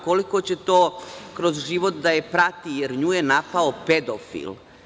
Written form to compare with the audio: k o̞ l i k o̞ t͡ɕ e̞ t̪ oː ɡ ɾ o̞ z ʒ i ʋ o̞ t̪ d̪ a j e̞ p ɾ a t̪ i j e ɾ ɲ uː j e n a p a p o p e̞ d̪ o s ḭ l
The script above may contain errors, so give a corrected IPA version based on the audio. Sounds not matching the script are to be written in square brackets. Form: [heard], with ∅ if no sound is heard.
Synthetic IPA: k o̞ l i k o̞ t͡ɕ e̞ t̪ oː [k] ɾ o̞ z ʒ i ʋ o̞ t̪ d̪ a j e̞ p ɾ a t̪ i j e ɾ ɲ uː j e n a p a [∅] o p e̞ d̪ o [f] ḭ l

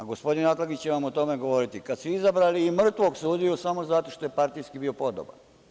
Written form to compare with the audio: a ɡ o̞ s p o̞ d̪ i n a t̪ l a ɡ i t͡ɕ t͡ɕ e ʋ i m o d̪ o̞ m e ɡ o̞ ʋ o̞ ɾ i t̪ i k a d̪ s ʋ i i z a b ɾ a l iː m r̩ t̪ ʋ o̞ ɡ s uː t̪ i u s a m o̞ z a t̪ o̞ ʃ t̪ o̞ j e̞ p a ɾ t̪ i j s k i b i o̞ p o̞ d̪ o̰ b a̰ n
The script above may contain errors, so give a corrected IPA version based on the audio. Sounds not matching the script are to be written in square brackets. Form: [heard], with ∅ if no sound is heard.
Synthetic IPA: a ɡ o̞ s p o̞ d̪ i n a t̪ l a ɡ i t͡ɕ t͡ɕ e ʋ [a] m o [t̪] o̞ m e ɡ o̞ ʋ o̞ ɾ i t̪ i k a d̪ s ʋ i i z a b ɾ a l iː m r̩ t̪ ʋ o̞ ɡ s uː [d̪] i u s a m o̞ z a t̪ o̞ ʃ t̪ o̞ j e̞ p a ɾ t̪ i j s k i b i o̞ p o̞ d̪ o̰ b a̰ n

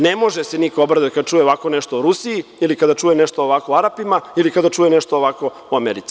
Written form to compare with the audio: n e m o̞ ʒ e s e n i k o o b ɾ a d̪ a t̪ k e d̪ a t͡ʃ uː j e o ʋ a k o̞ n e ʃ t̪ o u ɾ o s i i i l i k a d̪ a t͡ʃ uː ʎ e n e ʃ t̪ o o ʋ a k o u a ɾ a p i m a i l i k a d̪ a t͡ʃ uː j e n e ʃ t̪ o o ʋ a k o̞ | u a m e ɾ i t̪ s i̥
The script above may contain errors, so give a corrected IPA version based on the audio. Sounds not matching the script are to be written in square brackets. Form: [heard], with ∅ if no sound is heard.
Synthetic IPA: n e m o̞ ʒ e s e n i k o o b ɾ a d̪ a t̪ k [a] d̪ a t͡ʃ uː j e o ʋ a k o̞ n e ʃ t̪ o u ɾ [u] s i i i l i k a d̪ a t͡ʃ uː [j] e n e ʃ t̪ o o ʋ a k o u a ɾ a p i m a i l i k a d̪ a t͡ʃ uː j e n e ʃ t̪ o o ʋ a k o̞ | u a m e ɾ i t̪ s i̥

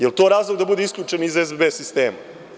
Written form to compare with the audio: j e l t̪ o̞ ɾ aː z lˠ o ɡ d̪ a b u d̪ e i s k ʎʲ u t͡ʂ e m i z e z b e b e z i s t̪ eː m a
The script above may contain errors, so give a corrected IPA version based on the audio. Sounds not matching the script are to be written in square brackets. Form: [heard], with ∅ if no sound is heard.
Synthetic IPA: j e l t̪ o̞ ɾ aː z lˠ o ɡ d̪ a b u d̪ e i s k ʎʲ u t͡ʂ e [n] i z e z b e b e [s] i s t̪ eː m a

